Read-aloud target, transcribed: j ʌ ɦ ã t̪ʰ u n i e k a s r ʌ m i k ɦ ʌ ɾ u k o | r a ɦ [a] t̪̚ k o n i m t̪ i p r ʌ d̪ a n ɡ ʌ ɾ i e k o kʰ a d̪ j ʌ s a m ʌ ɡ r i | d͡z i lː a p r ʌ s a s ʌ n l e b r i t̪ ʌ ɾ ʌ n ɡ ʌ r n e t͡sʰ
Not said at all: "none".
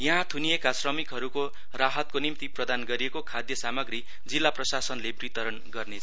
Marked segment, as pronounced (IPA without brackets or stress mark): ʌ